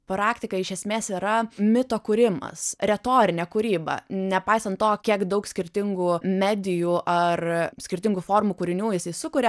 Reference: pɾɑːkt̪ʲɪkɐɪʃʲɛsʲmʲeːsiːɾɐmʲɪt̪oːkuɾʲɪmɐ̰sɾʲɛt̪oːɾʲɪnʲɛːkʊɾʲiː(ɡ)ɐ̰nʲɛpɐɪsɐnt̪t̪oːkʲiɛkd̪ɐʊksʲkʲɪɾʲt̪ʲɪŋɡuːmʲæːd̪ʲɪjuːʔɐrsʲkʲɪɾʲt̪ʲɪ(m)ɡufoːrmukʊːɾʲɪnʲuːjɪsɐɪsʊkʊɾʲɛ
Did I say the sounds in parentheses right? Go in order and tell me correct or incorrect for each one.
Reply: incorrect: b, incorrect: ŋ

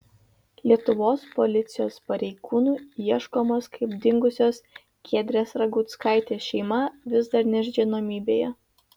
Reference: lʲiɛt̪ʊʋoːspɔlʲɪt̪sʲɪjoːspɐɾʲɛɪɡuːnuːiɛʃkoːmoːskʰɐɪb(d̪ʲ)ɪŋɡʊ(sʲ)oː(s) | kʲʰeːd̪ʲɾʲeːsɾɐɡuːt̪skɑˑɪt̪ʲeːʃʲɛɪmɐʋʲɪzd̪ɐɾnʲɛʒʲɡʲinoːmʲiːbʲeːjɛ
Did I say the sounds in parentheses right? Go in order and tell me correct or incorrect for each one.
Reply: correct, correct, correct

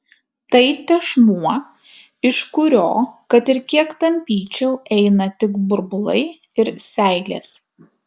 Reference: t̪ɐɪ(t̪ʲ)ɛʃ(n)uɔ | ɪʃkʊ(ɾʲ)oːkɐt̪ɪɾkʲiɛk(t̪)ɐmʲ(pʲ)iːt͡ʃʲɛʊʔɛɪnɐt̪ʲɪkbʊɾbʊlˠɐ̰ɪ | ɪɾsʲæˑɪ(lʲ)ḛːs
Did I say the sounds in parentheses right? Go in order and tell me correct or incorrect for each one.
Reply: correct, incorrect: m, correct, correct, correct, correct

